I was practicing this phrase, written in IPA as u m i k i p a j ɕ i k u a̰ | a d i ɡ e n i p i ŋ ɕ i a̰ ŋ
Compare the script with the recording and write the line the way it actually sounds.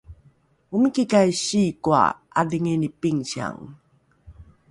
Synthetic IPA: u m i k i k a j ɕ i k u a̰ | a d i ŋ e n i p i ŋ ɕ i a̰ ŋ